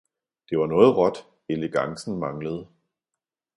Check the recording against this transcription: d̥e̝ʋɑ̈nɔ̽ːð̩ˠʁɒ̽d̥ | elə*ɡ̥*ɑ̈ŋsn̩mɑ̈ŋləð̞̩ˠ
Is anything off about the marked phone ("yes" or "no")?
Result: no